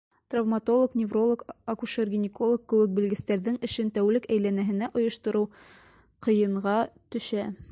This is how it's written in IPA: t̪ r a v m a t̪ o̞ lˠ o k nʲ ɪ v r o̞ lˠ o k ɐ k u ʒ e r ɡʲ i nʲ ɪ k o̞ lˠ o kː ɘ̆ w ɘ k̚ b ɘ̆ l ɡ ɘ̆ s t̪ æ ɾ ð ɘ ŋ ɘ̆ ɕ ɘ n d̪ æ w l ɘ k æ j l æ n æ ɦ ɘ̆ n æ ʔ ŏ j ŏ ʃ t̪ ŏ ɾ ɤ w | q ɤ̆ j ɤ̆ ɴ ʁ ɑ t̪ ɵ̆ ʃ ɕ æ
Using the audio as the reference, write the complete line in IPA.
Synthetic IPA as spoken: t̪ r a v m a t̪ o̞ lˠ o k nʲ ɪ v r o̞ lˠ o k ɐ k u ʃ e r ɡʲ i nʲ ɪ k o̞ lˠ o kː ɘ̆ w ɘ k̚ b ɘ̆ l ɡ ɘ̆ s t̪ æ ɾ ð ɘ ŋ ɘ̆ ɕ ɘ n t̪ æ w l ɘ k æ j l æ n æ ɦ ɘ̆ n æ ʔ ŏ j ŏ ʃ t̪ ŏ ɾ ɤ w | q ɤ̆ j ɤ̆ ɴ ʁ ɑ t̪ ɵ̆ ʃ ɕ æ